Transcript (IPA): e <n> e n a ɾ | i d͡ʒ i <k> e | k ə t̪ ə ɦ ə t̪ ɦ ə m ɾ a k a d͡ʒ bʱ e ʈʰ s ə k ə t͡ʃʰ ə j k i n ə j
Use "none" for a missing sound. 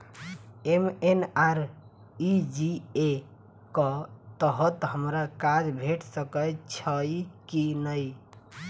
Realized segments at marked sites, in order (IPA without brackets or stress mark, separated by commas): m, none